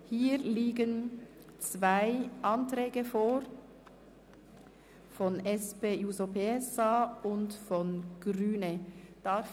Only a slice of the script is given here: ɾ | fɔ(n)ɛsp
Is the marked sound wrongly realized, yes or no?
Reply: no